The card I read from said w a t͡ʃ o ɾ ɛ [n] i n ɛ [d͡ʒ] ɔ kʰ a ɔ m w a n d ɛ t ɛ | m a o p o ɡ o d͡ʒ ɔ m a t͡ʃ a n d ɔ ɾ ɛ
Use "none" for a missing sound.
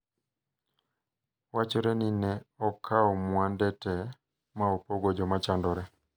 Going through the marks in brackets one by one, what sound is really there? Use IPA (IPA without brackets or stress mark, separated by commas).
n, none